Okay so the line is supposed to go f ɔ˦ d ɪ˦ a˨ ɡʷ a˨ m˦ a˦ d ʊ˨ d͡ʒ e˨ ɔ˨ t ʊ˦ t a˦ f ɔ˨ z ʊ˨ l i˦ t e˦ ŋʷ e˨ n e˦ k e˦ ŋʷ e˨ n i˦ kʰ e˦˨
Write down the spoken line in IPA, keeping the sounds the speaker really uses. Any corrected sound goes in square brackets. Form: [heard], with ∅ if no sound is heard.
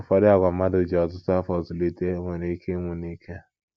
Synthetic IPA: f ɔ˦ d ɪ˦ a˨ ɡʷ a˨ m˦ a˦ d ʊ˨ d͡ʒ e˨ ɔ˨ t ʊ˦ t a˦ f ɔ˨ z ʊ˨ l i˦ t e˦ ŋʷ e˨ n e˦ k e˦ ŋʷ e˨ n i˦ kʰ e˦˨